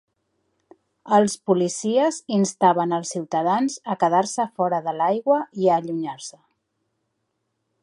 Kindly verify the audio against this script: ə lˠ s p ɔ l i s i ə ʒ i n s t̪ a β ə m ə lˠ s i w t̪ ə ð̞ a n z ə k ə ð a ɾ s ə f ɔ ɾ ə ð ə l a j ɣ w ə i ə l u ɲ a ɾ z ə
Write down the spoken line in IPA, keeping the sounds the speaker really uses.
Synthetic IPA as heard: ə lˠ s p u l i s i ə z i n s t̪ a β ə n ə lˠ s i w t̪ ə ð̞ a n z ə k ə ð a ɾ s ə f ɔ ɾ ə ð ə l a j ɣ w ə i ə ʎ u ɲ a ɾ s ə